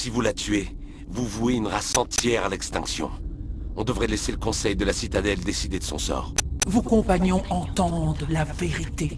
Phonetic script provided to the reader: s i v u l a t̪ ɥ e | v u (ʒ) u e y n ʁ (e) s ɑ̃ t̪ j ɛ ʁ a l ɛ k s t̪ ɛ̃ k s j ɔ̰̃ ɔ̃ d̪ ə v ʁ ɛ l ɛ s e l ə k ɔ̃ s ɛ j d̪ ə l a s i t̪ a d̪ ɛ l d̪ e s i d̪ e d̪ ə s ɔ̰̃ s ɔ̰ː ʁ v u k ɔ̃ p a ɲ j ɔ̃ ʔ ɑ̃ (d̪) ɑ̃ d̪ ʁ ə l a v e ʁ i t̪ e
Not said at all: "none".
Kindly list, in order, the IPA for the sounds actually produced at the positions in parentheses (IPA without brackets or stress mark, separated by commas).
v, a, t̪